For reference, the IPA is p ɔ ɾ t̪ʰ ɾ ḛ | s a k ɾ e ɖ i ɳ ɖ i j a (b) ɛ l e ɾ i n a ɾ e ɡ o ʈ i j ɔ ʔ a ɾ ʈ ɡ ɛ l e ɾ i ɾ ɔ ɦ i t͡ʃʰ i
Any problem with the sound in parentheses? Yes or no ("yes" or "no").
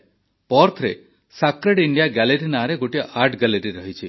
yes